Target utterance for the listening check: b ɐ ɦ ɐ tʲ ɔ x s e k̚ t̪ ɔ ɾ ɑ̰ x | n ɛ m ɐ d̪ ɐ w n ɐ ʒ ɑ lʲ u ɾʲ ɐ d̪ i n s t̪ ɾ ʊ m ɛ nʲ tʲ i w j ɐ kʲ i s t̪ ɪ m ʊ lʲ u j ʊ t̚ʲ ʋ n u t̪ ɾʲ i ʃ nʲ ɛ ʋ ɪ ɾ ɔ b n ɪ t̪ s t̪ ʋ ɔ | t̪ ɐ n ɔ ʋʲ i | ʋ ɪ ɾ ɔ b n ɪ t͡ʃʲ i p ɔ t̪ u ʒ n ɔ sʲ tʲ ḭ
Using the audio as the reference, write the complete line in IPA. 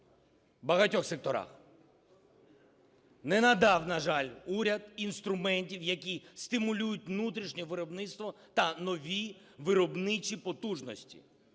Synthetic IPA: b ɐ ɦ ɐ tʲ ɔ x s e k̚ t̪ ɔ ɾ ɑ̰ x | n ɛ n ɐ d̪ ɑ w n ɐ ʒ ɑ lʲ u ɾʲ ɐ d̪ i n s t̪ ɾ ʊ m ɛ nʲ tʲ i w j ɐ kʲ i s t̪ ɪ m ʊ lʲ u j ʊ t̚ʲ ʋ n u t̪ ɾʲ i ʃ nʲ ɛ ʋ ɪ ɾ ɔ b n ɪ t̪ s t̪ ʋ ɔ | t̪ ɐ n ɔ ʋʲ i | ʋ ɪ ɾ ɔ b n ɪ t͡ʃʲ i p ɔ t̪ u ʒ n ɔ sʲ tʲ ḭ